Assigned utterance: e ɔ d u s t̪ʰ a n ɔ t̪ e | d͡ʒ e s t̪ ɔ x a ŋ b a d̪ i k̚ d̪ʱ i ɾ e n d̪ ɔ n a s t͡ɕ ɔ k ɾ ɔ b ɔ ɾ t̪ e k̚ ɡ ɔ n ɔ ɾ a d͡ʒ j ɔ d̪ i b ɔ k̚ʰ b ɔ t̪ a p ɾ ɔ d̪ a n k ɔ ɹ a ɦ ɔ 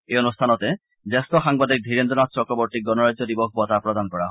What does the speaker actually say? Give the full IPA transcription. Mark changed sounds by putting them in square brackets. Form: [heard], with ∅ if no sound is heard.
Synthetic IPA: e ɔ [n] u s t̪ʰ a n ɔ t̪ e | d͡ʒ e s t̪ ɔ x a ŋ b a d̪ i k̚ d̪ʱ i ɾ e n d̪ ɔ n a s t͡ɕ ɔ k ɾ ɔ b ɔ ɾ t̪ [i] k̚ ɡ ɔ n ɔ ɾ a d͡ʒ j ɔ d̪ i b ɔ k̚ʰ b ɔ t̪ a p ɾ ɔ d̪ a n k ɔ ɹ a ɦ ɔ